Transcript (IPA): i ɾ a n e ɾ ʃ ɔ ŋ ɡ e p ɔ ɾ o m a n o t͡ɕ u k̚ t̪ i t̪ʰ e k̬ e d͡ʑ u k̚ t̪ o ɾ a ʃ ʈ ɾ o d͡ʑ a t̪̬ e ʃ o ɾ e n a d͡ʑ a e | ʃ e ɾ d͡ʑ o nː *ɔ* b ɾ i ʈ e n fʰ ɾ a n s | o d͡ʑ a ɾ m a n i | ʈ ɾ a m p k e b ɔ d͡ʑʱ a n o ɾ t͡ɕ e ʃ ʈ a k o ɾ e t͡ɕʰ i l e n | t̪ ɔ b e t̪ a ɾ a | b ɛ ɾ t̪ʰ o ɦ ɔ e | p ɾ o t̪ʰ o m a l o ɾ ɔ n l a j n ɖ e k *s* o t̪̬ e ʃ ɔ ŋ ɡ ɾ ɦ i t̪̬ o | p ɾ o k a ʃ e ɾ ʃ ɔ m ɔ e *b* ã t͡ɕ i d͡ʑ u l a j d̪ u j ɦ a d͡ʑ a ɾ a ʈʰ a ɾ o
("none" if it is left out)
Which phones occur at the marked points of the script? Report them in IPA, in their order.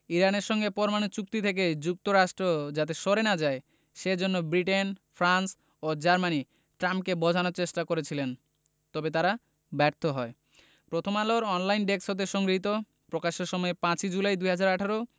o, s, p

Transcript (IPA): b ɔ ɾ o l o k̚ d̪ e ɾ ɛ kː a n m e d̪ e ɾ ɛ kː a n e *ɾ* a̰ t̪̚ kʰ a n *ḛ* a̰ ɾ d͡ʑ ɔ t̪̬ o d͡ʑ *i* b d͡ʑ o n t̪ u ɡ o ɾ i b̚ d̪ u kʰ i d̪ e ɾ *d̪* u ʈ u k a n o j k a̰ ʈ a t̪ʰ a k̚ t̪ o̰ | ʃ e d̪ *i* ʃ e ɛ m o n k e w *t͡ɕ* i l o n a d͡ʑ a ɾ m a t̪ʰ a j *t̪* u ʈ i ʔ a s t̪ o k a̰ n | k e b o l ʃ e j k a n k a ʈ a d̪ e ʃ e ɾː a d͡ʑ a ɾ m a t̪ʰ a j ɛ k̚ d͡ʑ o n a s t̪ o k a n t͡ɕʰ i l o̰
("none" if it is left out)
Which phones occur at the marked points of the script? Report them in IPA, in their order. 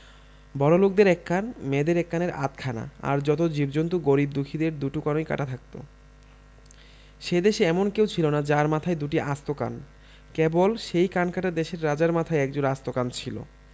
ɾ, a̰, i, d̪, e, t͡ɕʰ, d̪

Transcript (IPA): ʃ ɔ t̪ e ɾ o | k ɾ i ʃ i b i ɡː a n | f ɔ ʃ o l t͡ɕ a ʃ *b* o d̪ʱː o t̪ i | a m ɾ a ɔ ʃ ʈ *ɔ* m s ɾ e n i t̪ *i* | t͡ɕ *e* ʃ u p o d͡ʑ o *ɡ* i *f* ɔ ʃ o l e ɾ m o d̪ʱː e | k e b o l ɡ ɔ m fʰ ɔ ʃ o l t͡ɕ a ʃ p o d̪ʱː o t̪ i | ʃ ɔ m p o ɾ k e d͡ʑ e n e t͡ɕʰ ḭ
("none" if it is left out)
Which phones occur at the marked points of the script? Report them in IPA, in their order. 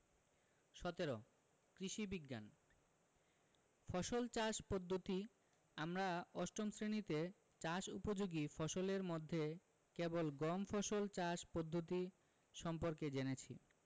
p, o, e, a, ɡ, f

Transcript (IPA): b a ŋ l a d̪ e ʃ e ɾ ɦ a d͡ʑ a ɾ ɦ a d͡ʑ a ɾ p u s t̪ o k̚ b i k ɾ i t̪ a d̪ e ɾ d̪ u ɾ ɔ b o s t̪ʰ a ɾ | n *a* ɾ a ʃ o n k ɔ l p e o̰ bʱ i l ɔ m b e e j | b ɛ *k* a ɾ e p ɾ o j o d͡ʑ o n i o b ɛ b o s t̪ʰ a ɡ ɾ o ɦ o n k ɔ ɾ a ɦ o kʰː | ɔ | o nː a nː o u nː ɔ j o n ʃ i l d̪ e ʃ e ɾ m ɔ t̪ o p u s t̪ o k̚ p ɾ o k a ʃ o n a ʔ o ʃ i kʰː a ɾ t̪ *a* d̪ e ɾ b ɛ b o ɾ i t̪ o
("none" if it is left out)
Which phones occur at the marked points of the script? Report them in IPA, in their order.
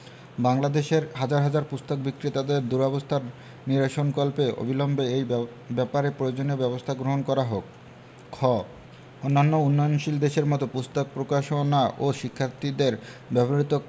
i, p, i

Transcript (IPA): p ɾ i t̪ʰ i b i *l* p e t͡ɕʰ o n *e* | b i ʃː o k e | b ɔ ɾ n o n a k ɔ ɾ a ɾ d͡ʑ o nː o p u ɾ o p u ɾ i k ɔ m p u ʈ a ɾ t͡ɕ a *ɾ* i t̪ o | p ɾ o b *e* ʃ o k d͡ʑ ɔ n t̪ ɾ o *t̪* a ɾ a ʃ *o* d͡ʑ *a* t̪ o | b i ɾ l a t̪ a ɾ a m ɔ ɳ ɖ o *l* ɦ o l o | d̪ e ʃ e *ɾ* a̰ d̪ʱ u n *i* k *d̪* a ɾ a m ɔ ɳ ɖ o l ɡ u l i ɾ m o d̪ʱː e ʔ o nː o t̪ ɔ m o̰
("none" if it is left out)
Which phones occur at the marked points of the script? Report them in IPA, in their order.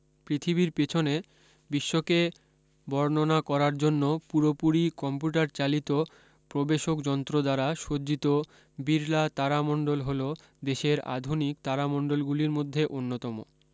ɾ, e, l, e, d̪, o, i, l, ɾ, i, t̪

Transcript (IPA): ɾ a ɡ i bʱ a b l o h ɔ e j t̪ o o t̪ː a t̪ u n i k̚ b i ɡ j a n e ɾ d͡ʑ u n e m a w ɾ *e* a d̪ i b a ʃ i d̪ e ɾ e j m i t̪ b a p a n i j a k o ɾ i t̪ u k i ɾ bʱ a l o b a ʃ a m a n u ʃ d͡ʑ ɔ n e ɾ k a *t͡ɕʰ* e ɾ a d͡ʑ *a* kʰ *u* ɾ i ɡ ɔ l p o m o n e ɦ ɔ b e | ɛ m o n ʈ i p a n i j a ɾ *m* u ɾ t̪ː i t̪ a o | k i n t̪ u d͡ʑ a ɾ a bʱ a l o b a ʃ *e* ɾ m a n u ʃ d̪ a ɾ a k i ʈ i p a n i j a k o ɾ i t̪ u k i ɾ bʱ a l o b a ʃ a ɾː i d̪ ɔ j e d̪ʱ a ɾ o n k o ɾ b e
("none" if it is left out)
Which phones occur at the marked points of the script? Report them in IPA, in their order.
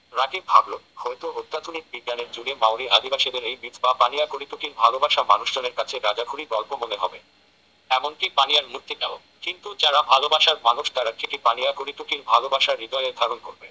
i, t͡ɕʰ, a, u, m, a

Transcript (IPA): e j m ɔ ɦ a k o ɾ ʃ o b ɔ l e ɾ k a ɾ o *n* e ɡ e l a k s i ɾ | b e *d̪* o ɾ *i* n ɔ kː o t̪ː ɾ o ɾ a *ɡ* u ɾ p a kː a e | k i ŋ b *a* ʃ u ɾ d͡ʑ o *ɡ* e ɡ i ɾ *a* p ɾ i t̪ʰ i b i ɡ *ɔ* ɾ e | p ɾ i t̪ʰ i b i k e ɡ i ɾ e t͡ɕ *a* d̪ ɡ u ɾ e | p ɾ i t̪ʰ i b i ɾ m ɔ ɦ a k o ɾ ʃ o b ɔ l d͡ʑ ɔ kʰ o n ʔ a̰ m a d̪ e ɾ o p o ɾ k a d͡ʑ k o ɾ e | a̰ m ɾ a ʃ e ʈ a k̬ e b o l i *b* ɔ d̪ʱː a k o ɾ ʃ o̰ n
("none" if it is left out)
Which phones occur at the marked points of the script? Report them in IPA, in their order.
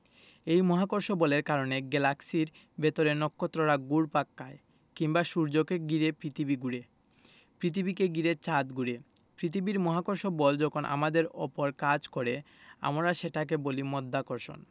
n, t̪, e, ɡ, a, k, e, u, a, m

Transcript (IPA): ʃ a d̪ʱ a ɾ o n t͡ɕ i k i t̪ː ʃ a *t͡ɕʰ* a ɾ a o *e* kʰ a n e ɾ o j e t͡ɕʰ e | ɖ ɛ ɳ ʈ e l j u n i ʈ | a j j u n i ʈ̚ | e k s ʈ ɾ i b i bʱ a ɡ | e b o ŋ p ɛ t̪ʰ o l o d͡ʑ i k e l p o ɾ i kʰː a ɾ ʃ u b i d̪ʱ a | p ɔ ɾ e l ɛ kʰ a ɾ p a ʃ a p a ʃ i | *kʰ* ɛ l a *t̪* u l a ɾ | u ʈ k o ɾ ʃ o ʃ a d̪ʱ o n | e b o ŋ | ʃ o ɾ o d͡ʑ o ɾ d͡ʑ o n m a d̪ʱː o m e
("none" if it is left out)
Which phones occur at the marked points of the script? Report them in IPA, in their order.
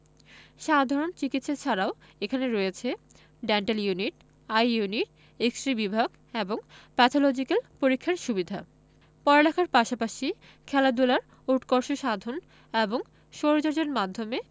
t͡ɕʰ, e, kʰ, d̪

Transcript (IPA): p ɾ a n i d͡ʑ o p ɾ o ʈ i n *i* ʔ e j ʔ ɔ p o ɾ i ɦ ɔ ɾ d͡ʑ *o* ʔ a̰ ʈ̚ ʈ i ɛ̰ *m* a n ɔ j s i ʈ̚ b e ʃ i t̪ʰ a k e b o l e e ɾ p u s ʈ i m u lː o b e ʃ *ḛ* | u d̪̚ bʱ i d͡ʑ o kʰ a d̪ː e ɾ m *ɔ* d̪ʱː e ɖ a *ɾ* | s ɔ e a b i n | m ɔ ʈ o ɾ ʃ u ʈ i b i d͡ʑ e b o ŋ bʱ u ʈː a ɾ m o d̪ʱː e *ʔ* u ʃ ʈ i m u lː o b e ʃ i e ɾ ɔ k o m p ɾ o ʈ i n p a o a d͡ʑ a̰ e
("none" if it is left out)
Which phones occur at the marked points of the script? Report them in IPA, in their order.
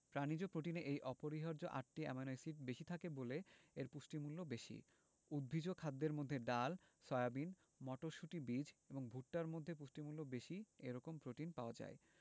e, o, m, ḭ, o, l, p

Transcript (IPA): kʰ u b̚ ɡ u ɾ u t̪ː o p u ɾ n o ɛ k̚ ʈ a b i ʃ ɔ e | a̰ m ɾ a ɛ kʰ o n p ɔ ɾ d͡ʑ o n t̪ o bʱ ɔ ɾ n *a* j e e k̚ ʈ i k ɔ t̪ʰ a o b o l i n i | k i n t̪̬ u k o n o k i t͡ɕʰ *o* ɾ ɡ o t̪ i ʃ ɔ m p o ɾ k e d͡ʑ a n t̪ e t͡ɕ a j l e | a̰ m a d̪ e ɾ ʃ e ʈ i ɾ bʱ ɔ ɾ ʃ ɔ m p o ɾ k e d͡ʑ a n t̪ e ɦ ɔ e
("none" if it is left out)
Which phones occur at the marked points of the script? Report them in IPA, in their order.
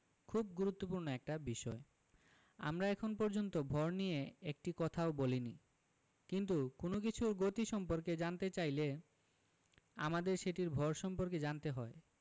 i, u

